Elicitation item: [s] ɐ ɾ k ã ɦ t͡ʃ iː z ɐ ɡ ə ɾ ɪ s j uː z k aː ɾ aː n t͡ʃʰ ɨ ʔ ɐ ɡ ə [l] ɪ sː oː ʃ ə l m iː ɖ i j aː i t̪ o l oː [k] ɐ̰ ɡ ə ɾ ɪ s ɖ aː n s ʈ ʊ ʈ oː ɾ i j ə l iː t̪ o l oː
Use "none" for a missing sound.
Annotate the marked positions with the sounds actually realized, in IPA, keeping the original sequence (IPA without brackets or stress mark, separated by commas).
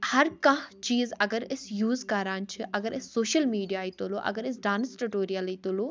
h, ɾ, ʔ